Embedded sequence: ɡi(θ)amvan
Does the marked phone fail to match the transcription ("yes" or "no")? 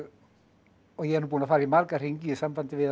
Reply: yes